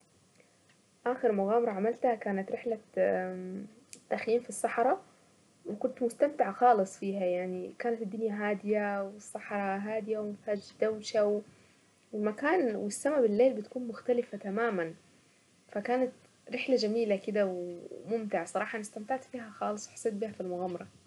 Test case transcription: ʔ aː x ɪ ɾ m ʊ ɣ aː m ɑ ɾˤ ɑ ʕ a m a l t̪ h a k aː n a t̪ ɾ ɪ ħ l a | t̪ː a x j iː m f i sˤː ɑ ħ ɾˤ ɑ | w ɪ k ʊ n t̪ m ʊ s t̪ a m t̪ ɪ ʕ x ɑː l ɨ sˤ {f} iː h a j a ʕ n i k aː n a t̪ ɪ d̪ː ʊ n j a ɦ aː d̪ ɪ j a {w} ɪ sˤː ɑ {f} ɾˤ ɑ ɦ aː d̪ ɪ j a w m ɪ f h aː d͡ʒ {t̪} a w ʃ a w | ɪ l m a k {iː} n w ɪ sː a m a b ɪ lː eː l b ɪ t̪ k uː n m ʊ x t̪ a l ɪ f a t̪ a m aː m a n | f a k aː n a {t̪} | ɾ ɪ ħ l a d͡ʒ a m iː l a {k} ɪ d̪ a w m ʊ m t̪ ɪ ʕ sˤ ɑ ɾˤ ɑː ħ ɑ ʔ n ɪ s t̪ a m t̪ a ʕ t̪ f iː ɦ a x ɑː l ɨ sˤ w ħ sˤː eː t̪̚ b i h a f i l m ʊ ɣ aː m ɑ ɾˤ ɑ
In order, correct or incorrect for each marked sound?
correct, correct, incorrect: ħ, incorrect: d̪, incorrect: aː, correct, correct

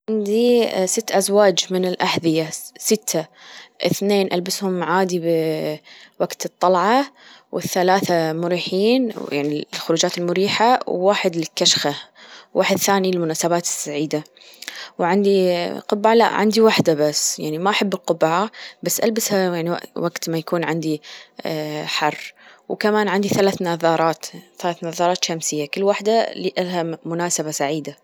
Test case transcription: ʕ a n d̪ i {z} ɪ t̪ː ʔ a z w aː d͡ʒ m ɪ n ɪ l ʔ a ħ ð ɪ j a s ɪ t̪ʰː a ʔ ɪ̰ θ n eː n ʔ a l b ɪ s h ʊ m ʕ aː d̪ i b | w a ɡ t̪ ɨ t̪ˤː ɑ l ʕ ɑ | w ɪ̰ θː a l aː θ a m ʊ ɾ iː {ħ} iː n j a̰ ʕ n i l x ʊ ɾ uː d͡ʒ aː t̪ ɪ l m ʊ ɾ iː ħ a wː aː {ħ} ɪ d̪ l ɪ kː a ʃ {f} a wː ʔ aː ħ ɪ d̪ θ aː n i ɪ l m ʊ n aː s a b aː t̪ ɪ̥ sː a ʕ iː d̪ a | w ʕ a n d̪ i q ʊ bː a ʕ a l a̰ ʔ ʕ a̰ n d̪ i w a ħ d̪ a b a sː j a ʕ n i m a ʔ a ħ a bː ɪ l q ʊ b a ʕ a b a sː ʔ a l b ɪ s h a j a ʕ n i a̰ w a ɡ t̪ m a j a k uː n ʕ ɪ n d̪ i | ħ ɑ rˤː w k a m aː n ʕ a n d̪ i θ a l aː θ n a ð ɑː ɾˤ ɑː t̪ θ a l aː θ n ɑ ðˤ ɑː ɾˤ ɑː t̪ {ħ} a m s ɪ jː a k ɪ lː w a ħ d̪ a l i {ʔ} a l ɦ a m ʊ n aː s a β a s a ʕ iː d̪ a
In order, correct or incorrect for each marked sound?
incorrect: s, correct, correct, incorrect: x, incorrect: ʃ, correct

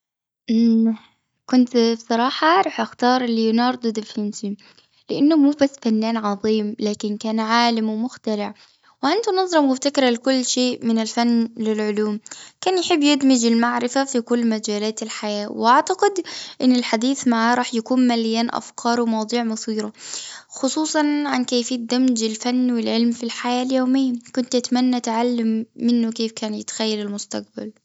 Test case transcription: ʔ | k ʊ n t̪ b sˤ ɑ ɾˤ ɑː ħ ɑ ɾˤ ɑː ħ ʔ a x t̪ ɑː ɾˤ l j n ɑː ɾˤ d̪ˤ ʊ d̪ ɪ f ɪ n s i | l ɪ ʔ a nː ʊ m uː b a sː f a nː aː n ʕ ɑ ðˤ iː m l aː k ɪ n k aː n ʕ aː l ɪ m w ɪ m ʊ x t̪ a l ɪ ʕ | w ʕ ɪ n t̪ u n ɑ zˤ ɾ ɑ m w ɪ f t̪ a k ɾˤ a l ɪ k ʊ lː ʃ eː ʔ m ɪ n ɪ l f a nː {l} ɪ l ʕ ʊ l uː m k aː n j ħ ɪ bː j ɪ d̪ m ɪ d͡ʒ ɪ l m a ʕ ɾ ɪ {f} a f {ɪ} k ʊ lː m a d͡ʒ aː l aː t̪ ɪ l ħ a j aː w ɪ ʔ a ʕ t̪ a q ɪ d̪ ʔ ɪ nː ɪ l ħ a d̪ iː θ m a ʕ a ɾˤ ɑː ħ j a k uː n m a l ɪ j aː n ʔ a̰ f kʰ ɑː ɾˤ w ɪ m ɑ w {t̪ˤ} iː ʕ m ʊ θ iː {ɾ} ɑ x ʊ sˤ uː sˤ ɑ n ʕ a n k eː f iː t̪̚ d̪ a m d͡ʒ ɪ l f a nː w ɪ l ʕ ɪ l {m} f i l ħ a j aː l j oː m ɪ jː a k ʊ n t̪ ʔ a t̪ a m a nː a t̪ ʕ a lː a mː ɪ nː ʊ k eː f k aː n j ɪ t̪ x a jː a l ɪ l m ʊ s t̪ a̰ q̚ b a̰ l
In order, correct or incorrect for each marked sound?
correct, correct, incorrect: i, incorrect: d̪ˤ, correct, correct

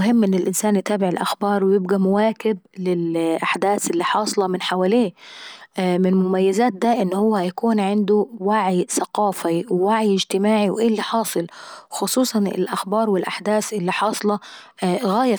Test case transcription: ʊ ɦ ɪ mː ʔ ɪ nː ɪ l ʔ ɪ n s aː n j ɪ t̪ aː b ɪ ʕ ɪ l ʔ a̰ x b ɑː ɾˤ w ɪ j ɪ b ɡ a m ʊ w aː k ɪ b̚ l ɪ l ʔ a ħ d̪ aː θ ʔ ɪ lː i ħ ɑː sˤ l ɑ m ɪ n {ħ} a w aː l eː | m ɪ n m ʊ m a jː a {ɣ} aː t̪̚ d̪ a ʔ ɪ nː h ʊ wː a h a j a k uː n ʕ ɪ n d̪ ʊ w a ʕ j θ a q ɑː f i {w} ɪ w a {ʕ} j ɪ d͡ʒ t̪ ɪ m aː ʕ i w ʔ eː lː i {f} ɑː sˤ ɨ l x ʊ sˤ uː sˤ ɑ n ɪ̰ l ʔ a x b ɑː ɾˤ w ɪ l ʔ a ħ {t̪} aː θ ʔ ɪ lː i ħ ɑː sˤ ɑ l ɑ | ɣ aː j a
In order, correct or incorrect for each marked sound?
correct, incorrect: z, correct, correct, incorrect: ħ, incorrect: d̪

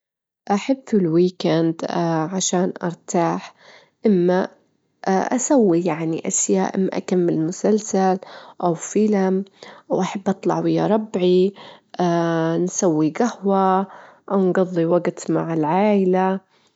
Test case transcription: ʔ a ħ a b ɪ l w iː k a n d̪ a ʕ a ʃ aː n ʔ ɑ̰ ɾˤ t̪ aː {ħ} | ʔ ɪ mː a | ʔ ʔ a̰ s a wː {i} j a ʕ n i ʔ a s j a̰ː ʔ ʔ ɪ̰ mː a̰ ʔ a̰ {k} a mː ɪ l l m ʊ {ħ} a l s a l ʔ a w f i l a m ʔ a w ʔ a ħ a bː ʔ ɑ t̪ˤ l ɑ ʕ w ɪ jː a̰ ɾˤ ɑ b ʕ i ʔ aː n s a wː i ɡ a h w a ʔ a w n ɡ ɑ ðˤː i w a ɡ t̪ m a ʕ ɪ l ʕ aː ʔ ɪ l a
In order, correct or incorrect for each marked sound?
correct, correct, correct, incorrect: s

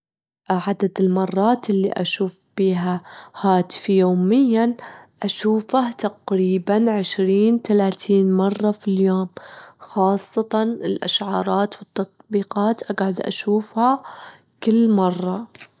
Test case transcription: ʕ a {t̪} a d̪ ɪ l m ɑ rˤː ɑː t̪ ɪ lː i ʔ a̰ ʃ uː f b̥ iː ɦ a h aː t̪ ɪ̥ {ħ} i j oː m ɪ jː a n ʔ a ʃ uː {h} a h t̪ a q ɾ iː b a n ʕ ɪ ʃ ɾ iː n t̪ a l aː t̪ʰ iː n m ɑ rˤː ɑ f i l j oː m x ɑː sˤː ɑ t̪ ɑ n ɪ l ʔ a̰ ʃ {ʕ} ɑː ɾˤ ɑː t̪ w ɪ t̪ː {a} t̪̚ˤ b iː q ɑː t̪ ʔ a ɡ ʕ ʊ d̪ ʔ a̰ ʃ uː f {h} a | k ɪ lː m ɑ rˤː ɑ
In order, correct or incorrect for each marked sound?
incorrect: d̪, incorrect: f, incorrect: f, correct, incorrect: ɑ, correct

